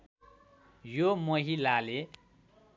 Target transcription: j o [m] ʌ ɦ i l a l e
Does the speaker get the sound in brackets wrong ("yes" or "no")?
no